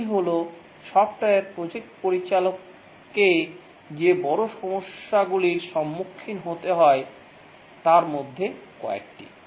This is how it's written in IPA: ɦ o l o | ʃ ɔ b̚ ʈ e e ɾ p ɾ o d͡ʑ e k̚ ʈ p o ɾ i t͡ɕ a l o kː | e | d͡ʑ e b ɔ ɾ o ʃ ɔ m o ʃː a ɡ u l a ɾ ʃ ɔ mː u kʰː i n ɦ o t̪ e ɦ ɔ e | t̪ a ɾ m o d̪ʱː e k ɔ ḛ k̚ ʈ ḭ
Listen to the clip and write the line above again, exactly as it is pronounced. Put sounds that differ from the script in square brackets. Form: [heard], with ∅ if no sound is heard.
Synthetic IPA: ɦ o l o | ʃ ɔ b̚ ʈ [a] e ɾ p ɾ o d͡ʑ e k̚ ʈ p o ɾ i t͡ɕ a l o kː | e | d͡ʑ e b ɔ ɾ o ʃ ɔ m o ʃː a ɡ u l [i] ɾ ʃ ɔ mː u kʰː i n ɦ o t̪ e ɦ ɔ e | t̪ a ɾ m o d̪ʱː e k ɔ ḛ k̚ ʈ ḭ